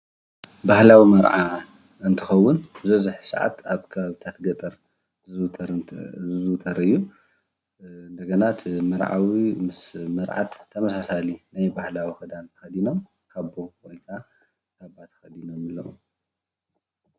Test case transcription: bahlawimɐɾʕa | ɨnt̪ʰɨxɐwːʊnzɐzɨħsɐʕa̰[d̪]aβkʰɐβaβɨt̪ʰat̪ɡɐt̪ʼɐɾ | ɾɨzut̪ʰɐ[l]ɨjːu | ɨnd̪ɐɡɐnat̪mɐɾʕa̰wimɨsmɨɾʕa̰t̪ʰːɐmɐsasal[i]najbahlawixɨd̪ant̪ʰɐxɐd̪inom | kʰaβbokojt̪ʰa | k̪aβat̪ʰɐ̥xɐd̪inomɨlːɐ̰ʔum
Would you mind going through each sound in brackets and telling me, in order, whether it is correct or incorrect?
incorrect: t̪, incorrect: ɾ, correct

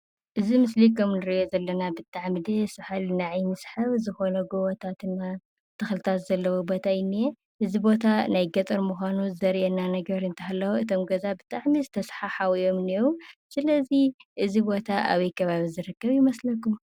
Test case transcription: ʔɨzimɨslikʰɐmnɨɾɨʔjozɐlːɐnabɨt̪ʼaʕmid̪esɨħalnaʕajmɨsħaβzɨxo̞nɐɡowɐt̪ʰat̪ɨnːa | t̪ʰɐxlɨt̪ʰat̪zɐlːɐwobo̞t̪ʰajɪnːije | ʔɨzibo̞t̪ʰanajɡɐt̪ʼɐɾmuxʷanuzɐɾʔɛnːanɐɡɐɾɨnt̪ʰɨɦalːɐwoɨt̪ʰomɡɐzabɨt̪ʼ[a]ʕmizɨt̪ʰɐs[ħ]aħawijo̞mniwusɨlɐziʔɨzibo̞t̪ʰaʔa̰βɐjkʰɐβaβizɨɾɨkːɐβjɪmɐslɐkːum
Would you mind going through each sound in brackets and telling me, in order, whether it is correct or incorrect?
correct, correct

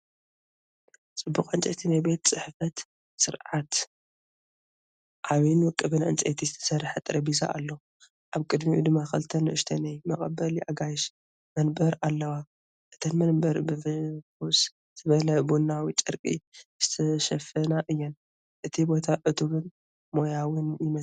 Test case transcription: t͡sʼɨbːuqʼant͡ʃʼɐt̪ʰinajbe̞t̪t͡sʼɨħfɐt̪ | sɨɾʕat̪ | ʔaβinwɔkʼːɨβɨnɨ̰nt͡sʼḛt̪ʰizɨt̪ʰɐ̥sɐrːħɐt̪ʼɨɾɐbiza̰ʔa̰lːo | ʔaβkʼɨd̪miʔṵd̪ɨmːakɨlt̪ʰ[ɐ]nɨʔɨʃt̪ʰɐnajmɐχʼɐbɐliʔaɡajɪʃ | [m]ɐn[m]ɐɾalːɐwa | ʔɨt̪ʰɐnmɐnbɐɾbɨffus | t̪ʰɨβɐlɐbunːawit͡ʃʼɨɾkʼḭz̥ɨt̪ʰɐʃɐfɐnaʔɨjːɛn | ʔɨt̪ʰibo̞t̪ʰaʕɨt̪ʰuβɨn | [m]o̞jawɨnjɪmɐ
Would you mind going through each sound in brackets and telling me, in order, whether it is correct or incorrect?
correct, correct, incorrect: b, correct

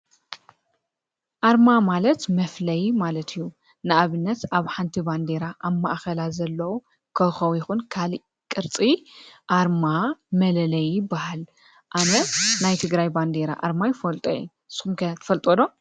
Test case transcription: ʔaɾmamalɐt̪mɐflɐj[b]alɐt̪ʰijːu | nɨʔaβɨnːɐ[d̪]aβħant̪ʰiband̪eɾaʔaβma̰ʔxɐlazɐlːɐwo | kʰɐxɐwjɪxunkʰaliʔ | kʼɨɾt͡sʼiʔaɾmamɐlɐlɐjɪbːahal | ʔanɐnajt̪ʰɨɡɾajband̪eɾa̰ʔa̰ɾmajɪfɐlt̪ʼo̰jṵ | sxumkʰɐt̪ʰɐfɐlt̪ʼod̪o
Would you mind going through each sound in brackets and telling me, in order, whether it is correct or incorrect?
incorrect: m, incorrect: t̪

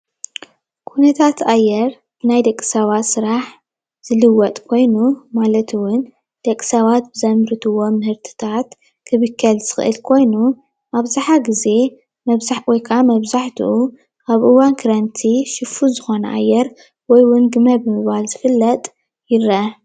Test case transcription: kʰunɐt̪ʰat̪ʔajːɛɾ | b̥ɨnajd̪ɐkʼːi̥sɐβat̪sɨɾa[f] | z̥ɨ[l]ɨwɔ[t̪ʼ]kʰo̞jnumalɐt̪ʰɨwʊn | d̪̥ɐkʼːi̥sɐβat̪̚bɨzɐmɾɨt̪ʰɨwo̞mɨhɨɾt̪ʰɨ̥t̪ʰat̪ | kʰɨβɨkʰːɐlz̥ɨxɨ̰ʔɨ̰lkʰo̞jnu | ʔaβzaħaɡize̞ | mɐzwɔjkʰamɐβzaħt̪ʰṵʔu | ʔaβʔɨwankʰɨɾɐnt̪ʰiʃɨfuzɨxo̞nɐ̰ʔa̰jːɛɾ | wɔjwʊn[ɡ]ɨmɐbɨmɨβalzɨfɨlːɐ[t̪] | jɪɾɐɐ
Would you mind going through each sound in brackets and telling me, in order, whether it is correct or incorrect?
incorrect: ħ, correct, correct, correct, incorrect: t̪ʼ

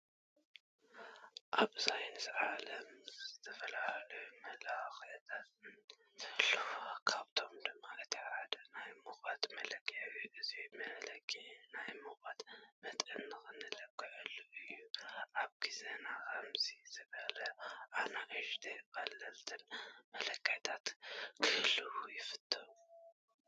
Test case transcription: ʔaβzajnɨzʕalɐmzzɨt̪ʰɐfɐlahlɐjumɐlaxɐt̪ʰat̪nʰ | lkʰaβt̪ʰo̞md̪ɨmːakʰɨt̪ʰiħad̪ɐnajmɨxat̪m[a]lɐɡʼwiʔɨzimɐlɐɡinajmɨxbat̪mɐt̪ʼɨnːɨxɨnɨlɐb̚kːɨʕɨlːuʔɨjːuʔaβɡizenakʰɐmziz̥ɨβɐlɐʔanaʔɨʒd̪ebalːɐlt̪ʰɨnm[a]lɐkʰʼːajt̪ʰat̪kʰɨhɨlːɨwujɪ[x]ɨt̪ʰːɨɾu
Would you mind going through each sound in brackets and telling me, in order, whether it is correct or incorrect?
incorrect: ɐ, incorrect: ɐ, incorrect: f

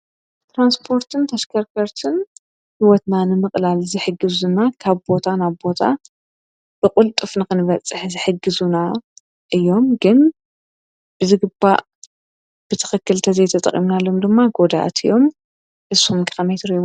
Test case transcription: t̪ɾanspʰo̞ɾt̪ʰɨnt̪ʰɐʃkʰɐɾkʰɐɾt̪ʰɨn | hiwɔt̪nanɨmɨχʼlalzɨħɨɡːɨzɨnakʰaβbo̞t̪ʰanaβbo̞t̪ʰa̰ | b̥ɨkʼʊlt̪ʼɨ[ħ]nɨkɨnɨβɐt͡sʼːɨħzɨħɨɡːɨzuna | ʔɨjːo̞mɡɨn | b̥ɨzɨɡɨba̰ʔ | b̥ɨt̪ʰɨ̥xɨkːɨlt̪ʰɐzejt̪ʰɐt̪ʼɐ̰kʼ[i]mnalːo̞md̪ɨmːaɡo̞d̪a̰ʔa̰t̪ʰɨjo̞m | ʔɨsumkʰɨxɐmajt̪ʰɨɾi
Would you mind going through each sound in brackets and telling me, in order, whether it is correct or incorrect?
incorrect: f, correct

